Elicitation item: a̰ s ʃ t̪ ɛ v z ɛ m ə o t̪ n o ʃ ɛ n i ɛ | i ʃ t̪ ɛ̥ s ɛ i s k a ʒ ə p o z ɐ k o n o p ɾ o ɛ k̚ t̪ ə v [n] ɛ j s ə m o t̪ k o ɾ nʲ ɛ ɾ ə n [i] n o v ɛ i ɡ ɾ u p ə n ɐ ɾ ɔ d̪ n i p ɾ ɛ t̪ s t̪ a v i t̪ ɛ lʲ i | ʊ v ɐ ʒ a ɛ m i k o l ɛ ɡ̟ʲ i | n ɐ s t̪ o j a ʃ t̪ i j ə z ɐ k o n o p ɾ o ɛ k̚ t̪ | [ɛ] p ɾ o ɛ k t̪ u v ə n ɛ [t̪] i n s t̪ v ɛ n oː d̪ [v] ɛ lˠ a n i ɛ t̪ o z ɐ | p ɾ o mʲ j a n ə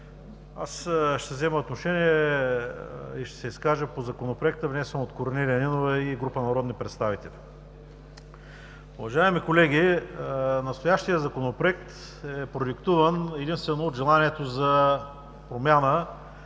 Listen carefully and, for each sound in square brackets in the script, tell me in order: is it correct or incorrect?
correct, correct, correct, incorrect: d̪, incorrect: ʒ

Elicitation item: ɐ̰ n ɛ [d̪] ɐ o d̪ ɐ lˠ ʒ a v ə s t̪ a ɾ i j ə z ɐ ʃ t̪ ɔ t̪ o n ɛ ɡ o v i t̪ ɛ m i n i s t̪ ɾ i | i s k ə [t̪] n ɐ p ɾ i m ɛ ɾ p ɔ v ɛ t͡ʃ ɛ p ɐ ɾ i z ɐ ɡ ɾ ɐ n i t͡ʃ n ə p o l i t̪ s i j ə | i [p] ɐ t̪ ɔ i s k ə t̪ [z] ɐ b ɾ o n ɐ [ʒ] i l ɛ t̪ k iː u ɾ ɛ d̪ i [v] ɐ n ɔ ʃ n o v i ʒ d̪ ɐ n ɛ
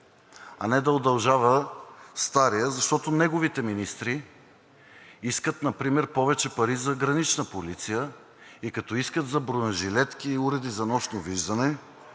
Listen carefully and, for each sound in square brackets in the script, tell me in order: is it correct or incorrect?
correct, correct, incorrect: k, correct, correct, incorrect: z

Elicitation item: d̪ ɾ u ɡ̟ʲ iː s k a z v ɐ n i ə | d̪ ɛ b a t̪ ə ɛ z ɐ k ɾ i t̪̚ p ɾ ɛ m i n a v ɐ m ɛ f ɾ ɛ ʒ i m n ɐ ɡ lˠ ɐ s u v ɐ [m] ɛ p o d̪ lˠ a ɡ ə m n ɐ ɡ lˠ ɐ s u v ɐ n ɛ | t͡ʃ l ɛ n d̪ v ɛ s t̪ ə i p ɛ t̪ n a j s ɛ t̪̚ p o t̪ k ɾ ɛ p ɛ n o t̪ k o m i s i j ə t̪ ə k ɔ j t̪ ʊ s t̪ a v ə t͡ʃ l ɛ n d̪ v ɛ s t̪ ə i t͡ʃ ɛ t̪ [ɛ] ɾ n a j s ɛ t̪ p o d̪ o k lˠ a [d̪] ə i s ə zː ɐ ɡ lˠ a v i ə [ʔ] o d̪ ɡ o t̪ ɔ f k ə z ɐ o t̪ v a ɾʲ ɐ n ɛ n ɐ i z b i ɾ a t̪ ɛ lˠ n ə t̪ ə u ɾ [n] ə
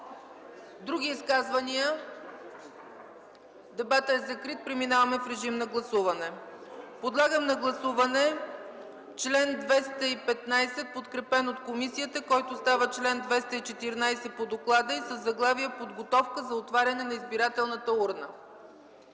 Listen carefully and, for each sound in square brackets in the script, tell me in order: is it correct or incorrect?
incorrect: n, incorrect: i, correct, incorrect: p, correct

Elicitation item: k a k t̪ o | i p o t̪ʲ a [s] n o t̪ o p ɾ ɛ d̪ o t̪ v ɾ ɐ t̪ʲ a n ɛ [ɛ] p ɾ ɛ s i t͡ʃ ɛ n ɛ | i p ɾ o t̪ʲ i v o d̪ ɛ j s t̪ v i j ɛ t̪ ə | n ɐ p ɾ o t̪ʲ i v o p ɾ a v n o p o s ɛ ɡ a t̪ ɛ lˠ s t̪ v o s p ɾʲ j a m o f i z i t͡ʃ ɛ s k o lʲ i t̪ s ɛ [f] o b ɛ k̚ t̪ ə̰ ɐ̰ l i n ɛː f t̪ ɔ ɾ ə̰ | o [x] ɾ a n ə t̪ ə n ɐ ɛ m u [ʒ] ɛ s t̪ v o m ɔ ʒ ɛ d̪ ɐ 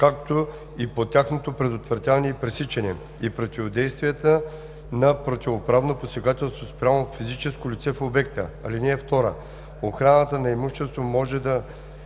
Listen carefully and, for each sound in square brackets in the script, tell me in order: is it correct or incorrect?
incorrect: x, incorrect: i, correct, correct, incorrect: ʃ

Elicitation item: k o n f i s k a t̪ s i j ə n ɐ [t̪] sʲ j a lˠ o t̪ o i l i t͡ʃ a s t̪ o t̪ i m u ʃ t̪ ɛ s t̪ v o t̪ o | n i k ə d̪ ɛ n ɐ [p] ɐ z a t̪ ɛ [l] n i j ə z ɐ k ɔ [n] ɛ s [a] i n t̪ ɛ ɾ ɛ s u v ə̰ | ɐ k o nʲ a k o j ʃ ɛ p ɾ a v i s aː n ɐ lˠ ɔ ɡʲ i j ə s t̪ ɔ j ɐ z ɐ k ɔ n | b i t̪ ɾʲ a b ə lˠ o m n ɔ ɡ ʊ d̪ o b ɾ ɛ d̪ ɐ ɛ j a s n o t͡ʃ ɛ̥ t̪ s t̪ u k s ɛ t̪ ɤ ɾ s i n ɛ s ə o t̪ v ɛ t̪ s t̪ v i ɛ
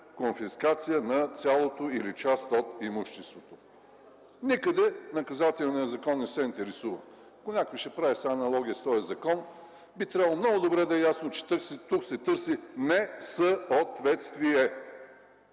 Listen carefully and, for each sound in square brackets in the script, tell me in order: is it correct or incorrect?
correct, incorrect: k, correct, incorrect: nː, incorrect: ɛ

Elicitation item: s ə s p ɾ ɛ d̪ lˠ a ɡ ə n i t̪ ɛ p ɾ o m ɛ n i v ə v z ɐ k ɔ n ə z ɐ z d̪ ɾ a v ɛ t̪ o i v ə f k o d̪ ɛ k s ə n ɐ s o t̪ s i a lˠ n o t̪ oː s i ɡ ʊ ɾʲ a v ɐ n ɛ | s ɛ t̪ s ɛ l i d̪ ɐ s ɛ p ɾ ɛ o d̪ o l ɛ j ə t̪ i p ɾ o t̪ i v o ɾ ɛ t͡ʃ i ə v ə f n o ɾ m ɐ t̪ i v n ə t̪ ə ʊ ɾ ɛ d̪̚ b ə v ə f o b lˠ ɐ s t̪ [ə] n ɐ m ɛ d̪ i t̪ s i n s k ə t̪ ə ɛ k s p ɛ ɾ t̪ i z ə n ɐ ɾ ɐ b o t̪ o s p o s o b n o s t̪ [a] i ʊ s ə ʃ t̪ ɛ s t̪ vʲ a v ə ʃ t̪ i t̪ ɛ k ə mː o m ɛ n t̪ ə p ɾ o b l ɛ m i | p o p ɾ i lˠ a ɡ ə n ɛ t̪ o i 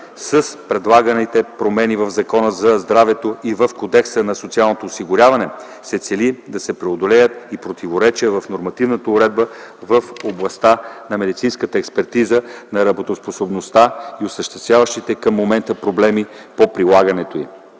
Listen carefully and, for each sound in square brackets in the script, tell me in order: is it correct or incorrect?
incorrect: a, correct

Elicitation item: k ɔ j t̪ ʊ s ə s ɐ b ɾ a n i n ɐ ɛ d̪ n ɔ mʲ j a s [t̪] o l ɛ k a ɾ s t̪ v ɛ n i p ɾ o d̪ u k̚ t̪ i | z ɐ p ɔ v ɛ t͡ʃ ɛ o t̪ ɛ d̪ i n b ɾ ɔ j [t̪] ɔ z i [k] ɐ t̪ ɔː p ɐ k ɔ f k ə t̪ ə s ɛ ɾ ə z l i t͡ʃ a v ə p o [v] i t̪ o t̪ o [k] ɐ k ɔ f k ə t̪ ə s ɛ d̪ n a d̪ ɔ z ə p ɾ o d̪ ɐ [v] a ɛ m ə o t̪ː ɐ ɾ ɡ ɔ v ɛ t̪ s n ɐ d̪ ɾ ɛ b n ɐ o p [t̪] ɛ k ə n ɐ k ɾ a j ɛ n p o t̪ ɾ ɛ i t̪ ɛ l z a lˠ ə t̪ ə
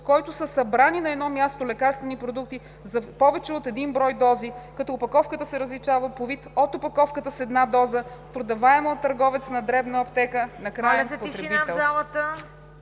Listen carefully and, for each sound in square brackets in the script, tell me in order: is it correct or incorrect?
correct, incorrect: d̪, correct, correct, incorrect: p, correct, correct

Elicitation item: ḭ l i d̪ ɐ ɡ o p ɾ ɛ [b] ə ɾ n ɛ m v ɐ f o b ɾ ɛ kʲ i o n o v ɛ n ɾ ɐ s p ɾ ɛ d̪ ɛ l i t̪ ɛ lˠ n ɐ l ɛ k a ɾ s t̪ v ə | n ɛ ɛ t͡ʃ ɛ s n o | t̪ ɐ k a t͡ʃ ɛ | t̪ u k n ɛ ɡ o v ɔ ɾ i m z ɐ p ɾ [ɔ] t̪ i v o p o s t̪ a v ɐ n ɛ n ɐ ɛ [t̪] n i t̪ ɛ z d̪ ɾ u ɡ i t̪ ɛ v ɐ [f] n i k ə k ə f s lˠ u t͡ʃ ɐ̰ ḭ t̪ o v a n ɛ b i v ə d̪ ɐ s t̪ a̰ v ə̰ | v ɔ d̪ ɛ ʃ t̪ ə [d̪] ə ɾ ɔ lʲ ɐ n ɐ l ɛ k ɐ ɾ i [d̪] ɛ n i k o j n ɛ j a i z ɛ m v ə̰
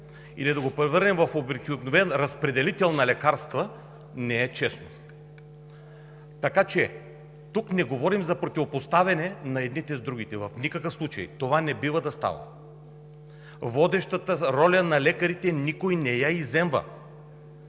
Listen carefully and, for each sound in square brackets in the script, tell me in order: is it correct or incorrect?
incorrect: v, incorrect: o, incorrect: d̪, correct, incorrect: t̪, incorrect: t̪

